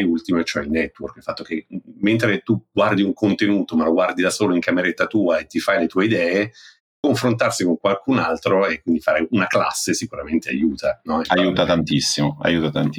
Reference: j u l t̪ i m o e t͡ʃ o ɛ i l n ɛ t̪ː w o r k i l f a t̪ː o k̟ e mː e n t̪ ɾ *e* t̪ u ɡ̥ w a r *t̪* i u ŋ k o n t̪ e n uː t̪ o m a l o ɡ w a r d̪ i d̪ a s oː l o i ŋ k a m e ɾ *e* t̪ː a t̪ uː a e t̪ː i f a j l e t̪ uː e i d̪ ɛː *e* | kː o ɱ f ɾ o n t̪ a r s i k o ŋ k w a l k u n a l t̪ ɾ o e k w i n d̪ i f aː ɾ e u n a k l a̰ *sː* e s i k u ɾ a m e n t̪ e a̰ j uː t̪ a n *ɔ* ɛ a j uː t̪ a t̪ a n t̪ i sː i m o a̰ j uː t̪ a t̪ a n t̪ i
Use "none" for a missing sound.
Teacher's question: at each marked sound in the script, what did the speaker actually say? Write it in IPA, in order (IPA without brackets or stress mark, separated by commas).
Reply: e, d̪, e, e, sː, ɔ